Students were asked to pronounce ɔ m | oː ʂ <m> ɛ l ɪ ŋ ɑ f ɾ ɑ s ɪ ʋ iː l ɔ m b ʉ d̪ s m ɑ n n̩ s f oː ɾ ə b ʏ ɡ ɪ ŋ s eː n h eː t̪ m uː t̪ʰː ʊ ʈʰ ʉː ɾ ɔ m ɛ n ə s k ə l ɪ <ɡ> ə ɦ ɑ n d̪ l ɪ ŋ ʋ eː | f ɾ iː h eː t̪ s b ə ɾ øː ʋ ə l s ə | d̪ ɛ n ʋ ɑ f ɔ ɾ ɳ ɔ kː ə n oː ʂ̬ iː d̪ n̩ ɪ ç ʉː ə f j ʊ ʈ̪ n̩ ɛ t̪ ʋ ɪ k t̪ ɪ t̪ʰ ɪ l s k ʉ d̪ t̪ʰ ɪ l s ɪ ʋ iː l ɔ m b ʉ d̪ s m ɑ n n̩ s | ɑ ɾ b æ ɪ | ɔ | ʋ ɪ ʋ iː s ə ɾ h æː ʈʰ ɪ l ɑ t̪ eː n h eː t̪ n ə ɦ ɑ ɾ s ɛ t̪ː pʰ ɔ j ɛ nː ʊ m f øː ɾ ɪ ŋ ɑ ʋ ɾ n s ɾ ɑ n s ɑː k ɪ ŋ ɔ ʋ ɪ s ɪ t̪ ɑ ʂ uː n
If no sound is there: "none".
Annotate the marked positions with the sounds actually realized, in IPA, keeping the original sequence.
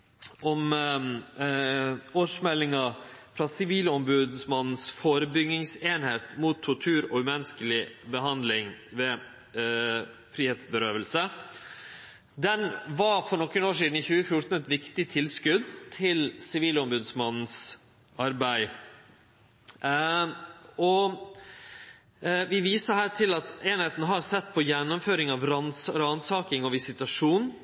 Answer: m, b

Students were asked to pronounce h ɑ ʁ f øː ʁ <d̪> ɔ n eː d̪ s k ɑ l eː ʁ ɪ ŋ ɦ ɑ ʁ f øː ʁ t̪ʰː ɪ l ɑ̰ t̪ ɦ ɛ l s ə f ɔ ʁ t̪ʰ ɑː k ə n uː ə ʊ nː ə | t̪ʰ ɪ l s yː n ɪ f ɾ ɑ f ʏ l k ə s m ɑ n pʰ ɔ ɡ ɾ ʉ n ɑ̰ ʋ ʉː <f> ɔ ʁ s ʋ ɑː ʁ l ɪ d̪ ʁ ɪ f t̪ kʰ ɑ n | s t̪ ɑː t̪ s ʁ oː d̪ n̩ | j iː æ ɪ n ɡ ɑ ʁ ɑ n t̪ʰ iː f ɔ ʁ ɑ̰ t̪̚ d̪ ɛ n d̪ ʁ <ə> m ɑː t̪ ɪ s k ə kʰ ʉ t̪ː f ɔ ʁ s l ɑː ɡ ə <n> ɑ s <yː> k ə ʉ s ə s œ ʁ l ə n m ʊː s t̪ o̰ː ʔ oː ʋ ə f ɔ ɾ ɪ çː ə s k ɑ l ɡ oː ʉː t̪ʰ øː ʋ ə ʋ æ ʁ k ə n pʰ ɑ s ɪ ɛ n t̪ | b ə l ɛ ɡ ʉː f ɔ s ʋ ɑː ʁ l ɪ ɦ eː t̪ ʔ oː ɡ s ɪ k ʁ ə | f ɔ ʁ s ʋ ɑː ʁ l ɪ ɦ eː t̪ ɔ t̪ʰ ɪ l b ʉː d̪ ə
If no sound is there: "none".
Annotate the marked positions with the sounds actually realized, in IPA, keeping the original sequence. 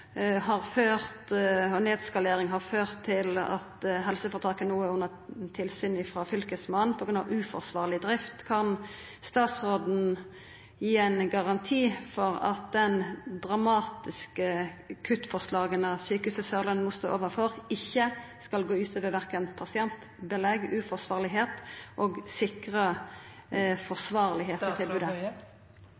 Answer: t̪, f, ɑ, n, yː

